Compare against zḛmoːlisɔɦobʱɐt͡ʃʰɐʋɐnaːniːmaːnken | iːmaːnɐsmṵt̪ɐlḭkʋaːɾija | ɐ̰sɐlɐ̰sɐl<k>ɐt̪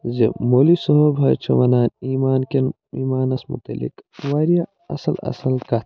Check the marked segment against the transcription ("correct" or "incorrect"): correct